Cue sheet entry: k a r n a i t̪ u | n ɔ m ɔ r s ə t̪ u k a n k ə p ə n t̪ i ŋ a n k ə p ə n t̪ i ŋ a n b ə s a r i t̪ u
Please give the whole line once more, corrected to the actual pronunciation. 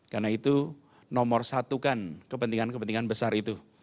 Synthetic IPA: k a r n a i t̪ u | n ɔ m ɔ r s a t̪ u k a n k ə p ə n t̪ i ŋ a n k ə p ə n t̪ i ŋ a n b ə s a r i t̪ u